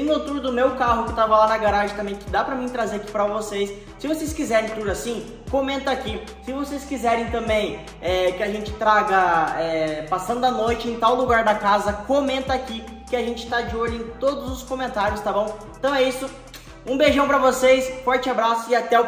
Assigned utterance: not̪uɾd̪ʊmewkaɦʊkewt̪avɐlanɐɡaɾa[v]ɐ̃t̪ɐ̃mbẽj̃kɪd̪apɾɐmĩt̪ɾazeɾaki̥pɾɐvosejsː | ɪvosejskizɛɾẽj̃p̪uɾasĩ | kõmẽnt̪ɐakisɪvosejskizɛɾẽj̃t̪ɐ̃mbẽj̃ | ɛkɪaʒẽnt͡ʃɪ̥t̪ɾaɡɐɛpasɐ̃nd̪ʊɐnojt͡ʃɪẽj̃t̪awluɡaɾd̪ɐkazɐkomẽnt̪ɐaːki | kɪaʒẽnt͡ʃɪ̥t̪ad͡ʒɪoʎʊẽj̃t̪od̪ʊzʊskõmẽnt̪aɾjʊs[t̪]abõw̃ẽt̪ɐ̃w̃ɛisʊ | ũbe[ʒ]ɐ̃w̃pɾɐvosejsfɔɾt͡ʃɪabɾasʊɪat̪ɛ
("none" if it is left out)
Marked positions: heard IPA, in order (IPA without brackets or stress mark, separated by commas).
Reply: ʒ, t̪, ʒ